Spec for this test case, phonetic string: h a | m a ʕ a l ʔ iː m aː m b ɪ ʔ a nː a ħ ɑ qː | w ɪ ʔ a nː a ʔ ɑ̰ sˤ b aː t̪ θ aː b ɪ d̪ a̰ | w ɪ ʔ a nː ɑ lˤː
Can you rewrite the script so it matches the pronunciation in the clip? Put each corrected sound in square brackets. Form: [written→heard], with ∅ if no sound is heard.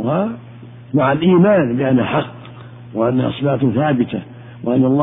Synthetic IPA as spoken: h a | m a ʕ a l ʔ iː m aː [m→n] b ɪ ʔ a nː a ħ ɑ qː | w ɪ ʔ a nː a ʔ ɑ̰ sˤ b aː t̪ θ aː b ɪ [d̪→t̪] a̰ | w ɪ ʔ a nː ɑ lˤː